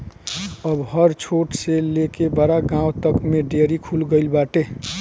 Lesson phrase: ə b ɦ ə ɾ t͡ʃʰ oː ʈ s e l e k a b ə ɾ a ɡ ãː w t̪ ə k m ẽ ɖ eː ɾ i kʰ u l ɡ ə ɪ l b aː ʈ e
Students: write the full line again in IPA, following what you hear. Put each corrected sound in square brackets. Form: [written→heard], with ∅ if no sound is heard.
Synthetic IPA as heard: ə b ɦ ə ɾ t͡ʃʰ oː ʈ s e l e k [a→e] b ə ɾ a ɡ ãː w t̪ ə k m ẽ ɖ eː ɾ i kʰ u l ɡ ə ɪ l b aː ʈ e